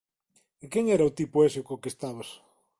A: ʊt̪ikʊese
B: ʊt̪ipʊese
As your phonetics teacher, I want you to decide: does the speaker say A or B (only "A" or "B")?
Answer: B